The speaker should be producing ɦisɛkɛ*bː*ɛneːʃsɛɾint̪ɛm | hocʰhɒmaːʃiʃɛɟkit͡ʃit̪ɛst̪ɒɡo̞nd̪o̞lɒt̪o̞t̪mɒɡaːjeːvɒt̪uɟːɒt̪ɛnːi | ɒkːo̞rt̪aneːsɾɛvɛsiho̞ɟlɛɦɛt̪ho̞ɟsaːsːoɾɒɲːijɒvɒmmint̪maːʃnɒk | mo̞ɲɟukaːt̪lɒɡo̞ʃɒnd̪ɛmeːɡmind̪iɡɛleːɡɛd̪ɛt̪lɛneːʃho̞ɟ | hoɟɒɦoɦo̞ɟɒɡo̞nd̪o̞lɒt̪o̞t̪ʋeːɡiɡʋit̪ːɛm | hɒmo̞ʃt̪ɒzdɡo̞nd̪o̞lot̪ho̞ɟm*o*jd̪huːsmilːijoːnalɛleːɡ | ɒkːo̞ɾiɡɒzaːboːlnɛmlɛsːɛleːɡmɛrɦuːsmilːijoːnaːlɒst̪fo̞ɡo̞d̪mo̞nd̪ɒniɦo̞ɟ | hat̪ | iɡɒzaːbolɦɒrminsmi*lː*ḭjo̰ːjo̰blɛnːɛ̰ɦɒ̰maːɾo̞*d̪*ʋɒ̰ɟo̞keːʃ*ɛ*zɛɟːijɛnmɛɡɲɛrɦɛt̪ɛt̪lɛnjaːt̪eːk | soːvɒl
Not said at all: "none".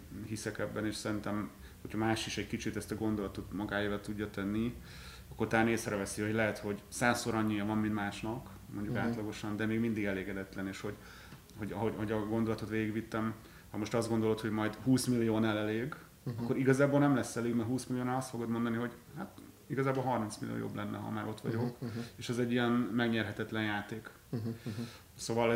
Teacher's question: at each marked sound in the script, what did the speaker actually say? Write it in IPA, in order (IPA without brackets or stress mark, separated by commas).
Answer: bː, ɒ, l, t̪, ɛ